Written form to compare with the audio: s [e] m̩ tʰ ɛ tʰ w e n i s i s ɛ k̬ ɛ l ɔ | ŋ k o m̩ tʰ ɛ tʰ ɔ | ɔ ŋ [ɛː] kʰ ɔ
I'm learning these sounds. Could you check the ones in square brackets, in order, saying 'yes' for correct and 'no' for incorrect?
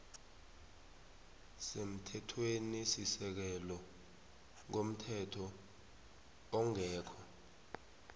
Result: yes, yes

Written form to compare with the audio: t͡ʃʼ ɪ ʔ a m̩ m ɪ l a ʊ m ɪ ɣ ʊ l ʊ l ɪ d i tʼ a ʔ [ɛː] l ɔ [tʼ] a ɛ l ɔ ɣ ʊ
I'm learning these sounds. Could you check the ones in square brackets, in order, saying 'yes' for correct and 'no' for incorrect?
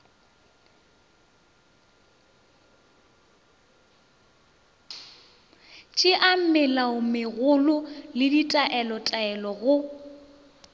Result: no, yes

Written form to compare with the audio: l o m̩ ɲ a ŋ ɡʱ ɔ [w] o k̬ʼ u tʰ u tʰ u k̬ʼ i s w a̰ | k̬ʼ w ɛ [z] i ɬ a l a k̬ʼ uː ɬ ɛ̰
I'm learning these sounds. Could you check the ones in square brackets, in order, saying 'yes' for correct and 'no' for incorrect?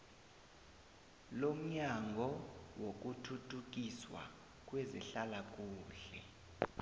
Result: yes, yes

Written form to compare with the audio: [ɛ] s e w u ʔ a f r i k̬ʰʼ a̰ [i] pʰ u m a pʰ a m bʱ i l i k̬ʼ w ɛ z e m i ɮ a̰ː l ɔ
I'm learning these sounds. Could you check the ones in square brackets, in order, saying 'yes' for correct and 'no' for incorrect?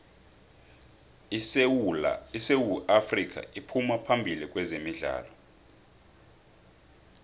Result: no, yes

